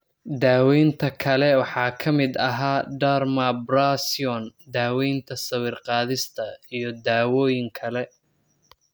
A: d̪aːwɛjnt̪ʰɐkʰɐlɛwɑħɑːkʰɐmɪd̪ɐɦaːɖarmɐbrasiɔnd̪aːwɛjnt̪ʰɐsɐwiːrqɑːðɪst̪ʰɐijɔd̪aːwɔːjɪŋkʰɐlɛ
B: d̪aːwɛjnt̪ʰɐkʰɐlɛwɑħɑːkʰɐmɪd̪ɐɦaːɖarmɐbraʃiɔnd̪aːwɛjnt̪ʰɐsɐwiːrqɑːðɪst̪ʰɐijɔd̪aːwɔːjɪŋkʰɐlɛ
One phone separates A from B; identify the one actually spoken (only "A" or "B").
A